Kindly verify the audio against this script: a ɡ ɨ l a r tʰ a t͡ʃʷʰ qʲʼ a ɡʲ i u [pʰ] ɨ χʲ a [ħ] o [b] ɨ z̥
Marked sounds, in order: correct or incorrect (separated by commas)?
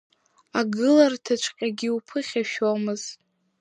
correct, incorrect, incorrect